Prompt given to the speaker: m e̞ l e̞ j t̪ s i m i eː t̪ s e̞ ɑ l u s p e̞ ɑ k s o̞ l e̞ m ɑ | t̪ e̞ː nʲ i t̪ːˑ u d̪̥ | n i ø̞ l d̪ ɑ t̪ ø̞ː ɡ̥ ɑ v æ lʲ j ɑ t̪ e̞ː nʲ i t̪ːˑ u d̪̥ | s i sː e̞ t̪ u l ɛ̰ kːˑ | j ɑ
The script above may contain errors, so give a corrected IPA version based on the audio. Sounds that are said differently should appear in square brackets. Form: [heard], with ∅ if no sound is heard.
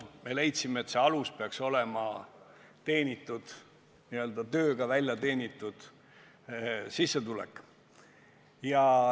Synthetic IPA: m e̞ l e̞ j t̪ s i m [e] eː t̪ s e̞ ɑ l u s p e̞ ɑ k s o̞ l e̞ m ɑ | t̪ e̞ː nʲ i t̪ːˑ u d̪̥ | n i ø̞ l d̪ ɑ t̪ ø̞ː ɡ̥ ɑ v æ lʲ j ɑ t̪ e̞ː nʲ i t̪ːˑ u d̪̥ | s i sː e̞ t̪ u l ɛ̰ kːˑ | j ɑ